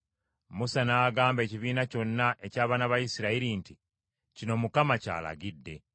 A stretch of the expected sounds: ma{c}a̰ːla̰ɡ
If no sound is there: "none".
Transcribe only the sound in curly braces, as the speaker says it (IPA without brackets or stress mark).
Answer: c